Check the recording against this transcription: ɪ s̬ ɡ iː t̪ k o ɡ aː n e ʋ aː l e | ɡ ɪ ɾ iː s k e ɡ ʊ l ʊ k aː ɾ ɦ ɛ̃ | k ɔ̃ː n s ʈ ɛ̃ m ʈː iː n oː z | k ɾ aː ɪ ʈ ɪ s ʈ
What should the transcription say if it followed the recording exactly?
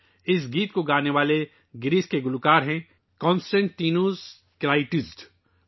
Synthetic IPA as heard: ɪ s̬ ɡ iː t̪ k o ɡ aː n e ʋ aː l e | ɡ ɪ ɾ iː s k e ɡ ʊ l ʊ k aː ɾ ɦ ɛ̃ | k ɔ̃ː n s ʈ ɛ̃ ɳ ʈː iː n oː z | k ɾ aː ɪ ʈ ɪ s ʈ